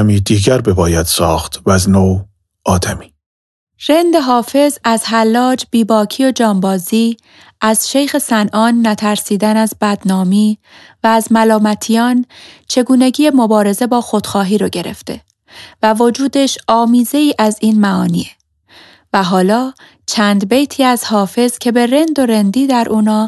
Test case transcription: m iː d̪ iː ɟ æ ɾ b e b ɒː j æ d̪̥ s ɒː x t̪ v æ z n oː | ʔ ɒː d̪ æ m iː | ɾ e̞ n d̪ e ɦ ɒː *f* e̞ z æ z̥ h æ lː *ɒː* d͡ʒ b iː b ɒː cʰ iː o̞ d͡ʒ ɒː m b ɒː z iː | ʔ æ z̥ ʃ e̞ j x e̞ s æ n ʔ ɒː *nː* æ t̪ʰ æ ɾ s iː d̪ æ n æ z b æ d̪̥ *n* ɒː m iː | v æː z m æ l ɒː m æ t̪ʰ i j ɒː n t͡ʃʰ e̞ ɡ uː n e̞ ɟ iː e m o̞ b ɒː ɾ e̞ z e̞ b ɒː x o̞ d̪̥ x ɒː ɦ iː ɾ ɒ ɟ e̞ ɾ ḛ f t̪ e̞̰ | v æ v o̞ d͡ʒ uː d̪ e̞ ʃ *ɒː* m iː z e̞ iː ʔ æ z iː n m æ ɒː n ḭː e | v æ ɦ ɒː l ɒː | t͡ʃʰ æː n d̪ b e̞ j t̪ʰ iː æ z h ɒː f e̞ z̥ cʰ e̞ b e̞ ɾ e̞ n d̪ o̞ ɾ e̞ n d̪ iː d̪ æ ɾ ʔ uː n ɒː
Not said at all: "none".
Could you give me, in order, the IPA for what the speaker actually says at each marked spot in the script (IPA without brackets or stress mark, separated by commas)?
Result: f, ɒː, nː, n, ɒː